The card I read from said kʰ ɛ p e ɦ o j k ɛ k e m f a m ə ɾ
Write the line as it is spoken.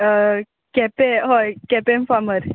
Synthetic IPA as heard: k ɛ p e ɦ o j k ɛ p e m f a m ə ɾ